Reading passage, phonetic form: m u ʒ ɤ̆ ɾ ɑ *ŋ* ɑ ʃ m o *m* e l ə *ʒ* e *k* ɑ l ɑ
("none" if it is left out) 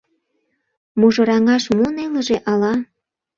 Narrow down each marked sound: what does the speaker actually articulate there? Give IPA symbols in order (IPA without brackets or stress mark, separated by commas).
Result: ŋ, n, ʒ, ʔ